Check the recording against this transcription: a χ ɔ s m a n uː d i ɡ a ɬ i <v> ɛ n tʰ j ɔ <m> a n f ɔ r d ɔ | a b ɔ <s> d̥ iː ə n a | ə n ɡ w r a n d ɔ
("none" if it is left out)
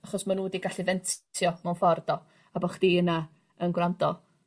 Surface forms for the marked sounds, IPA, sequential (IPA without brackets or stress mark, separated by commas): v, m, χ